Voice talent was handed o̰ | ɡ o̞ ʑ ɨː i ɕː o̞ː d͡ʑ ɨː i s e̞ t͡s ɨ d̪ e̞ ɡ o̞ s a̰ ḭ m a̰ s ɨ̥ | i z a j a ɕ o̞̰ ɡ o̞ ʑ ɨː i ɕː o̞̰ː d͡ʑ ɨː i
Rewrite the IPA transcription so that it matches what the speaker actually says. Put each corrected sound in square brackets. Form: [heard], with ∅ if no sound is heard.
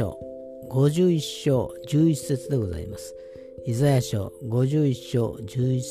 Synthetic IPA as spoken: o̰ | ɡ o̞ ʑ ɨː i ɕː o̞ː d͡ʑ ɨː i s e̞ t͡s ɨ d̪ e̞ ɡ o̞ [z] a̰ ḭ m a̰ s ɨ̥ | i z a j a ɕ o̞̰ ɡ o̞ ʑ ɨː i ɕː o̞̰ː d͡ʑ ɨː i